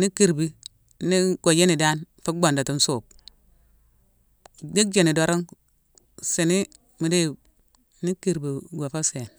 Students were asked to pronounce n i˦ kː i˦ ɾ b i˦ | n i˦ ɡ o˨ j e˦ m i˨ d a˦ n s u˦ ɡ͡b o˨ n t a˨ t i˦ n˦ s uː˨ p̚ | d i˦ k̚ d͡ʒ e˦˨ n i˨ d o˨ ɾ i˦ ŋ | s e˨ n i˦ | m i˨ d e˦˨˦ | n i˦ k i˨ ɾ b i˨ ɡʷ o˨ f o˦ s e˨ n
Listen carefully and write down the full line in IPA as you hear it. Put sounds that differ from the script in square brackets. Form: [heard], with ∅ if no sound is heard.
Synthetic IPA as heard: n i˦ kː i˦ ɾ b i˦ | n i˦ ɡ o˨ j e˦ [n] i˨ d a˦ n [f] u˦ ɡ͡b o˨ n [d] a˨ t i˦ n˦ s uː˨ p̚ | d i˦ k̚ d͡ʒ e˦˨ n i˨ d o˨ ɾ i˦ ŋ | s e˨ n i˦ | m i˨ d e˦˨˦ | n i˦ k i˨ ɾ b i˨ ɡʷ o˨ f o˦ s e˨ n